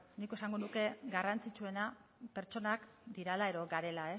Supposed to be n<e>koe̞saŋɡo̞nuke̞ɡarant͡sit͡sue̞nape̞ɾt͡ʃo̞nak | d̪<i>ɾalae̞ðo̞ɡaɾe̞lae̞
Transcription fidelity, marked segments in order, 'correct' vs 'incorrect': incorrect: i, correct

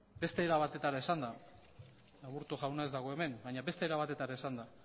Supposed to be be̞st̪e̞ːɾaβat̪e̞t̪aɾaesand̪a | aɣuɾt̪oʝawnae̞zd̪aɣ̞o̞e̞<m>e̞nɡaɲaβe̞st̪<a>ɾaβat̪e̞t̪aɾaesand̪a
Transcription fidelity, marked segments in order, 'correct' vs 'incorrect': correct, incorrect: e

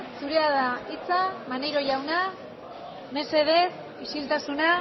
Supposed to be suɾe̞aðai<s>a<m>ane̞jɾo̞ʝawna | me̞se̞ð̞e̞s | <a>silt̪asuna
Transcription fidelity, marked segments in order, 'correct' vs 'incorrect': incorrect: t͡s, correct, incorrect: i

